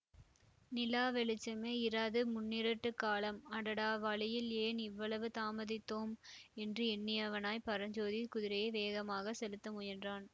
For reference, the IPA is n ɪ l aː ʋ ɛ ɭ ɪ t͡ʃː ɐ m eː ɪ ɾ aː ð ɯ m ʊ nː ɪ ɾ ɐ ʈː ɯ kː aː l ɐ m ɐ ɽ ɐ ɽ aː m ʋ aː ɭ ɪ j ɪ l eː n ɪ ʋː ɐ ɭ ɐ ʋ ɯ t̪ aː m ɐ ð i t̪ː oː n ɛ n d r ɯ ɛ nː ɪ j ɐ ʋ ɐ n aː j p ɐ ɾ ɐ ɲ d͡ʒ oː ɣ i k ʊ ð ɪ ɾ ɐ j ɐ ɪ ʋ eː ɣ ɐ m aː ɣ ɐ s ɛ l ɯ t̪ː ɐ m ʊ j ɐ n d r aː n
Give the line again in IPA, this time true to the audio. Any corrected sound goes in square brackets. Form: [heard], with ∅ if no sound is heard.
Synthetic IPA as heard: n ɪ l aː ʋ ɛ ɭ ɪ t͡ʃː ɐ m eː ɪ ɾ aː ð ɯ m ʊ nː ɪ ɾ ɐ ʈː ɯ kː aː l ɐ m ɐ ɽ ɐ ɽ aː [∅] ʋ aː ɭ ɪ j ɪ l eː n ɪ ʋː ɐ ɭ ɐ ʋ ɯ t̪ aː m ɐ ð [ɪ] t̪ː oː [m] ɛ n d r ɯ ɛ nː ɪ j ɐ ʋ ɐ n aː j p ɐ ɾ ɐ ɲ d͡ʒ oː [ð] i k ʊ ð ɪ ɾ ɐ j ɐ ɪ ʋ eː ɣ ɐ m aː ɣ ɐ s ɛ l ɯ t̪ː ɐ m ʊ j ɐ n d r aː n